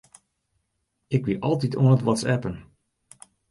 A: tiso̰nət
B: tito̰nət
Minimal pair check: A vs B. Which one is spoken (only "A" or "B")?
B